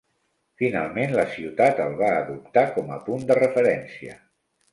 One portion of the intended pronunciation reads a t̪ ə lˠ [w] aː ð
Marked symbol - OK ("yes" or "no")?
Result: no